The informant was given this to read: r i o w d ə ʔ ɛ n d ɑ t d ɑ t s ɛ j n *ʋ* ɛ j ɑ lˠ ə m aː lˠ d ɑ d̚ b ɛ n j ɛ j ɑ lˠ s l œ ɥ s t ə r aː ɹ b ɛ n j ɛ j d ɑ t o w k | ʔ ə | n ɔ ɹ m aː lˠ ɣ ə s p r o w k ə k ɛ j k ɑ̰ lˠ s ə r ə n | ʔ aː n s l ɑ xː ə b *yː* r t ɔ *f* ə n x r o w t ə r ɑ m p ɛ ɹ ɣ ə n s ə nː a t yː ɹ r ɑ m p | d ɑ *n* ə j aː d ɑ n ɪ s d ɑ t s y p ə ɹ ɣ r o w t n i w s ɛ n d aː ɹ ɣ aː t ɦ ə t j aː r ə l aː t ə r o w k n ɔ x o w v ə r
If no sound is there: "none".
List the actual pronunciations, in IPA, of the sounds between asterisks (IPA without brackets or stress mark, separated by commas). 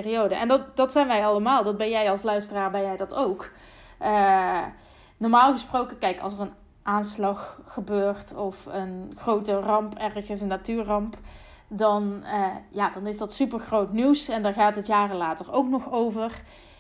ʋ, øː, f, n